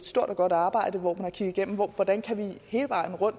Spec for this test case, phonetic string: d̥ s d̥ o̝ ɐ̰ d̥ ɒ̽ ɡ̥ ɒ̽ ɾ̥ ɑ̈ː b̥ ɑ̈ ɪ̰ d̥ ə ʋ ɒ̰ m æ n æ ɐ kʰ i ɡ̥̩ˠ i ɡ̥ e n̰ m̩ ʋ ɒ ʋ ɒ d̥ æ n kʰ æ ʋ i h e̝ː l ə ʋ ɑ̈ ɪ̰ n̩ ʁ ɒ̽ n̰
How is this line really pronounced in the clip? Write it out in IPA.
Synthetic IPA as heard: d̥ s d̥ o̝ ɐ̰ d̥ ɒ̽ ɡ̥ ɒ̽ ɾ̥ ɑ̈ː b̥ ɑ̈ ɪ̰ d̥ ə ʋ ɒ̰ m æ n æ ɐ kʰ i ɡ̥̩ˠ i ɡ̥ e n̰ m̩ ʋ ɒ ʋ ɒ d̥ æ n kʰ æ ʋ i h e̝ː l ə ʋ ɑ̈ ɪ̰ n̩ ʁ ɔ̽ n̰